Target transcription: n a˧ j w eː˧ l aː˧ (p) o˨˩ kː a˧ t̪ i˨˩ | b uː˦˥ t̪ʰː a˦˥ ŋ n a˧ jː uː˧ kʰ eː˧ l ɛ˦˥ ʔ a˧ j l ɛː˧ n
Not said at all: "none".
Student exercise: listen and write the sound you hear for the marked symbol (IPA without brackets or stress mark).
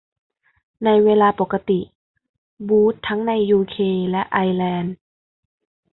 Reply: p